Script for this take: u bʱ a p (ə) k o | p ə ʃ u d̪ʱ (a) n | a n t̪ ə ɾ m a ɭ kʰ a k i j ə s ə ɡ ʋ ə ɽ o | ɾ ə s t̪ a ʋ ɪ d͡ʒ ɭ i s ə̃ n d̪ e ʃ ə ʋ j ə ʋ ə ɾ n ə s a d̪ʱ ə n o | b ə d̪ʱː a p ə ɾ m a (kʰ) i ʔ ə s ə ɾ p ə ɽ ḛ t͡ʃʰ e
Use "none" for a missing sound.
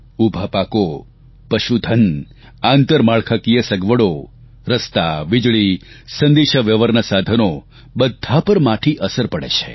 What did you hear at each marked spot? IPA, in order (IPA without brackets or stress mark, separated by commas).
a, ə, ʈʰ